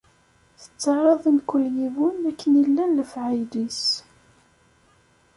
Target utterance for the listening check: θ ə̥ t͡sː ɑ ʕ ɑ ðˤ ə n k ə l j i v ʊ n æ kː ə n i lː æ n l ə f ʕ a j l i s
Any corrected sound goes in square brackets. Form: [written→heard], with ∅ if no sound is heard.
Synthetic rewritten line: θ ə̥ t͡sː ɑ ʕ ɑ ðˤ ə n k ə l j i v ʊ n æ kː ə n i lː æ n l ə f ʕ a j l i s